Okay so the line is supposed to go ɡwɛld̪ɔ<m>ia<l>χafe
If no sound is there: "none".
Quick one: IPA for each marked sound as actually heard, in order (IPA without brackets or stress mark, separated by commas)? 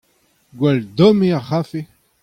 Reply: m, none